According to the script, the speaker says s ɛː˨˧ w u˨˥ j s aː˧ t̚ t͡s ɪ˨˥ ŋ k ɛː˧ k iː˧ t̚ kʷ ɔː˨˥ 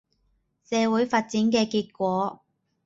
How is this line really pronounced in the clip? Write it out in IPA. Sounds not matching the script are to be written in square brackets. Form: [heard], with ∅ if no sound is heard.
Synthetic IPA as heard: s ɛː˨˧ w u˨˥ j [f] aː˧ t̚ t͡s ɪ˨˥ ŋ k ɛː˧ k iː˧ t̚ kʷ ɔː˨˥